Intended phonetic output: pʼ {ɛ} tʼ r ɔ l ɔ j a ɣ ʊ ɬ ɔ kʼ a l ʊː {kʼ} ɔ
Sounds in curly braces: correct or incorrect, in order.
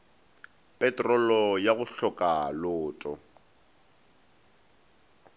correct, incorrect

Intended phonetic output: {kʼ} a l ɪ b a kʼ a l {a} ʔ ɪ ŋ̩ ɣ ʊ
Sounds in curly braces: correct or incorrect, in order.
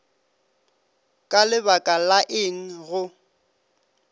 correct, correct

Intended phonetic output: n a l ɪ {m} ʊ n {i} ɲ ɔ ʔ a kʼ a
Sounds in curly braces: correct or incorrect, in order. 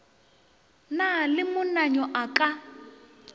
correct, incorrect

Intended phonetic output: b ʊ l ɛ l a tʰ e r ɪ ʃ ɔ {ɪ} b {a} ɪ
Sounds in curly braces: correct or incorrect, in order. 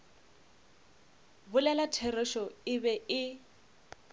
correct, incorrect

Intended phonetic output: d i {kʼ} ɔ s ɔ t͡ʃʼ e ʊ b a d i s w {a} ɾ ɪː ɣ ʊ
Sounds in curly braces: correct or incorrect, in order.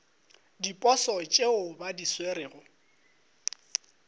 incorrect, incorrect

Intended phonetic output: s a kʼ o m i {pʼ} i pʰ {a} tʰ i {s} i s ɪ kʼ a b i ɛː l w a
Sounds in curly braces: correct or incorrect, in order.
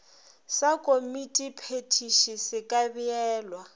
incorrect, incorrect, incorrect

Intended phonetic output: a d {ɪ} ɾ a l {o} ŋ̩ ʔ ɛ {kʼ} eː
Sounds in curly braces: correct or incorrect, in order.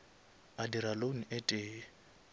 incorrect, correct, incorrect

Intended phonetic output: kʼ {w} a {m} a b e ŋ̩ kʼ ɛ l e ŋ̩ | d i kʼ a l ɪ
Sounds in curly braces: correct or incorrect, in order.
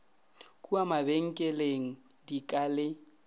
incorrect, correct

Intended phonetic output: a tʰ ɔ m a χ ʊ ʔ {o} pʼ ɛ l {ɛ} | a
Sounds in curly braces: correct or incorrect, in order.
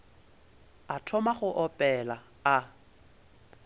incorrect, incorrect

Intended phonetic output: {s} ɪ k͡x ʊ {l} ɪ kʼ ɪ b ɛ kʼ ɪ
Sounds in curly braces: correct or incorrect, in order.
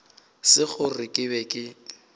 correct, incorrect

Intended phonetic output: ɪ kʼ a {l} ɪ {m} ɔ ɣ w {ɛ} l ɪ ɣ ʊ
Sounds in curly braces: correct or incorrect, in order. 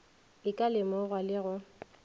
correct, correct, incorrect

